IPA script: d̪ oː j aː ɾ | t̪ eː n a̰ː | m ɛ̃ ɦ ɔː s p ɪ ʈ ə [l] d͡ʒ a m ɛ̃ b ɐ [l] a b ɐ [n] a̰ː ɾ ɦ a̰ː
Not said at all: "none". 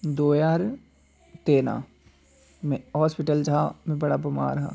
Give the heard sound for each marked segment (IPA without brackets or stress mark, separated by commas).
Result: l, ɽ, m